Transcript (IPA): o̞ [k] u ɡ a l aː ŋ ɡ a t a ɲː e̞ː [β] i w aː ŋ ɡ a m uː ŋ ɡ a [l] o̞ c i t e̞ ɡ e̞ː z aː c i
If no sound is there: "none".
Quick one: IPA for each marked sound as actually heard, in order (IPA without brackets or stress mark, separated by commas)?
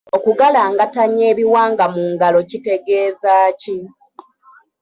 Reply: k, β, l